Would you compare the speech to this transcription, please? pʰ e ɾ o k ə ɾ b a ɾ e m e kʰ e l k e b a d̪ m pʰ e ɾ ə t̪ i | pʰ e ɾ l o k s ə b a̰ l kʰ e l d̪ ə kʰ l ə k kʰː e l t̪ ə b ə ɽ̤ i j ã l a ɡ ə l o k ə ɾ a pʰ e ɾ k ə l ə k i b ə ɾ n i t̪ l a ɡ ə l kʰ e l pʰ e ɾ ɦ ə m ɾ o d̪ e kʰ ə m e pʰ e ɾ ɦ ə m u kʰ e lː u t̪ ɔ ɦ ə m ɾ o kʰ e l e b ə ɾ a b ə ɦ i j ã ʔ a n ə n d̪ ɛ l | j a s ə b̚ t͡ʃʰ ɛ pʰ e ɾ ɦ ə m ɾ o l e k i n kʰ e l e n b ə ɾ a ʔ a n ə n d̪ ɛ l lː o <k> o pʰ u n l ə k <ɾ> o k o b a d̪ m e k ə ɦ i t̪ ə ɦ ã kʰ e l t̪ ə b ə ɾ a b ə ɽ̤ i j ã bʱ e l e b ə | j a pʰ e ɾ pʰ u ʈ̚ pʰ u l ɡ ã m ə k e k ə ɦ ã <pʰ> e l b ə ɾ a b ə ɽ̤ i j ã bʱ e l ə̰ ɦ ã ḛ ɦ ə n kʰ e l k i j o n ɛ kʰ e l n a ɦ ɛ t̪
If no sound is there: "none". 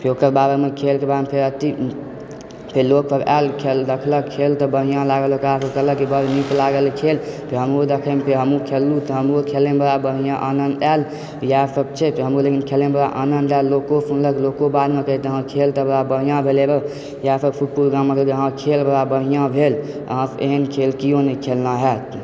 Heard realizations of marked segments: k, l, kʰ

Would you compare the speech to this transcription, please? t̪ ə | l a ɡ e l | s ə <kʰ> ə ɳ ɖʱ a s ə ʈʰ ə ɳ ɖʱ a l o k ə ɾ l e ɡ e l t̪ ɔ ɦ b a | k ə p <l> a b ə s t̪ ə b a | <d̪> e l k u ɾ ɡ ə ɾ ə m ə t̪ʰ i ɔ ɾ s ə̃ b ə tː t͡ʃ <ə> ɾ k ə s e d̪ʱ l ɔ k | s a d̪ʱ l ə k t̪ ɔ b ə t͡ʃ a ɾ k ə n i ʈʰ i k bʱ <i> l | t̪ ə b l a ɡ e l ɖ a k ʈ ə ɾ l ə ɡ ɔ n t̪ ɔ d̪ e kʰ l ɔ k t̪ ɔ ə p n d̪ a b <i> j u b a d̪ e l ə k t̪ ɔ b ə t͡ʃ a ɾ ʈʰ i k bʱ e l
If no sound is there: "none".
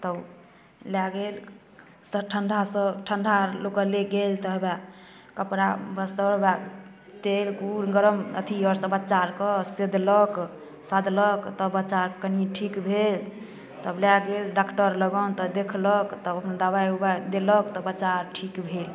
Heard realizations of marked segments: ʈʰ, ɾ, t̪, a, e, a

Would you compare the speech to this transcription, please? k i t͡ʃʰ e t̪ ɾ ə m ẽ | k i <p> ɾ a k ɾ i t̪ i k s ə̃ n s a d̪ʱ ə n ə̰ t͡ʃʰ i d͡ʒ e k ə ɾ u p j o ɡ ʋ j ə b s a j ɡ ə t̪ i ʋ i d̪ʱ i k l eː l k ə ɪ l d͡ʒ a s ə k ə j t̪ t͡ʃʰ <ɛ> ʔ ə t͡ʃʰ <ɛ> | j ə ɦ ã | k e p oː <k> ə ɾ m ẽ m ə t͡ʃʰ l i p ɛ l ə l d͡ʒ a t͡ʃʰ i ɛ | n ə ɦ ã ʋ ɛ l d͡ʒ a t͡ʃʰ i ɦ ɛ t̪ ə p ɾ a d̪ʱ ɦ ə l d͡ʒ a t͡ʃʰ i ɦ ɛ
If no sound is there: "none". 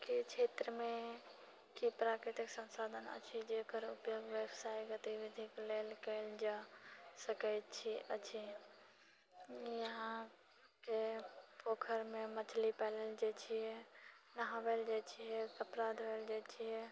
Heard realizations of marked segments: p, i, i, kʰ

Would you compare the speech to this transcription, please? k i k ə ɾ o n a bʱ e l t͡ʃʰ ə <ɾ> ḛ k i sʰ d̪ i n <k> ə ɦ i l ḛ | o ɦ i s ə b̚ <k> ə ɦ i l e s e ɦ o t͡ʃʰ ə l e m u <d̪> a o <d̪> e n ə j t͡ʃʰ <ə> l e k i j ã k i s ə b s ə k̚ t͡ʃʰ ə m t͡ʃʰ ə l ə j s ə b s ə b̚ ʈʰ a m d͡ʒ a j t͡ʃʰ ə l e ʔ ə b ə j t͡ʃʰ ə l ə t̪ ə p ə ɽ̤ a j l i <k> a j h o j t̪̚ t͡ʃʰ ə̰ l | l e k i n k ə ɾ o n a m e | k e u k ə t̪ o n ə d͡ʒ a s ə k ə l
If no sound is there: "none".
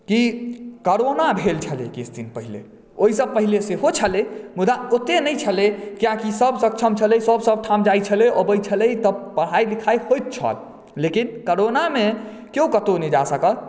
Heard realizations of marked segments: l, p, p, d̪, t̪, ə, kʰ

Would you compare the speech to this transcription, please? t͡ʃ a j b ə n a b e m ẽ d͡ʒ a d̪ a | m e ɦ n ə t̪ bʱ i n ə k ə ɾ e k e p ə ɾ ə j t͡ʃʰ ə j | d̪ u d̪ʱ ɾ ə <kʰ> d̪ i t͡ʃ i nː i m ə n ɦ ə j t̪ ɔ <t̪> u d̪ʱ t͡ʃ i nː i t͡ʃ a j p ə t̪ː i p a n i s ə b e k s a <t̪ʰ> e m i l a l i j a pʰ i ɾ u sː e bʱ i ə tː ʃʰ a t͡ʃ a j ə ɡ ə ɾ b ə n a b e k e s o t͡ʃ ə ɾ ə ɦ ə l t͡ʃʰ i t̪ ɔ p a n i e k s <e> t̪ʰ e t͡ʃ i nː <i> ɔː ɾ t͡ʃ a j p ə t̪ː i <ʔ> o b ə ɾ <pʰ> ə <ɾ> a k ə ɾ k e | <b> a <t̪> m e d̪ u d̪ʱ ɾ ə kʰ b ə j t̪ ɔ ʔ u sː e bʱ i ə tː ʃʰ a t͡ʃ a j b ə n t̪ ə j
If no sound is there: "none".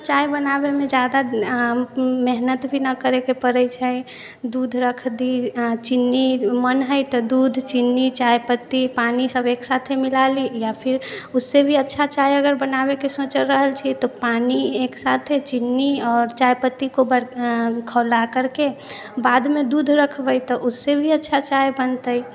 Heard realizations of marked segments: kʰ, d̪, t̪ʰ, a, i, k, kʰ, l, b, d̪

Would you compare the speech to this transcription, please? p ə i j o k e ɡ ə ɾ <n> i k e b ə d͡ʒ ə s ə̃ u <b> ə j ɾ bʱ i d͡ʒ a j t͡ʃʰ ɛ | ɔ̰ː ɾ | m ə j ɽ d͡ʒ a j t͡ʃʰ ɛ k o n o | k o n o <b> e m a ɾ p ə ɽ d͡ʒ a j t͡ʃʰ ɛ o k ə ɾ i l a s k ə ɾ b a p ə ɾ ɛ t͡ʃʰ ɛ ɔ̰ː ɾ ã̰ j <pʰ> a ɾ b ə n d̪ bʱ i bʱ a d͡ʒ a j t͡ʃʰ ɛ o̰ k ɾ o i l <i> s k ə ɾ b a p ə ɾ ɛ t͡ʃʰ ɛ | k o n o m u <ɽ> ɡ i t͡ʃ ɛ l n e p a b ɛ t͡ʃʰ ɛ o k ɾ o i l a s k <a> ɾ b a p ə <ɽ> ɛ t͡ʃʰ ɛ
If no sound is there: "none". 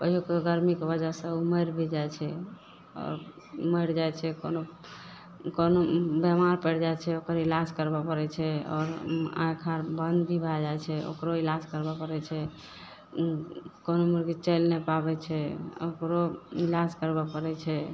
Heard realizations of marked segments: m, m, b, kʰ, a, ɾ, ə, ɾ

